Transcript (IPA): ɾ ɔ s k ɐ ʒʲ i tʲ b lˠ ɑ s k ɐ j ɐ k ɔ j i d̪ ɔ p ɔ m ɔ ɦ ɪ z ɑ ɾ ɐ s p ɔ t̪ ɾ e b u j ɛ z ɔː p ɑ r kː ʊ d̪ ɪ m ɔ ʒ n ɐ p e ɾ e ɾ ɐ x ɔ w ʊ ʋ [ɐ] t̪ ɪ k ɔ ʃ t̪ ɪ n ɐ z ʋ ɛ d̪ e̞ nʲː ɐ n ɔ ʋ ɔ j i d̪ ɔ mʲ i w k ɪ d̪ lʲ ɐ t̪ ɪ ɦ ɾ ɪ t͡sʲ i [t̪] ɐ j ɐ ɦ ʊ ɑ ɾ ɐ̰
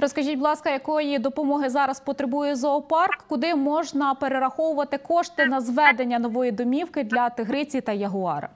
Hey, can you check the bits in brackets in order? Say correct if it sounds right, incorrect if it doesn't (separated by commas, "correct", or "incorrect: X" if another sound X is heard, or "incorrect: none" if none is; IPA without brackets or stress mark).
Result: correct, correct